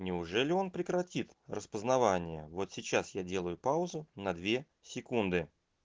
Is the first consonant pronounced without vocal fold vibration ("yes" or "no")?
no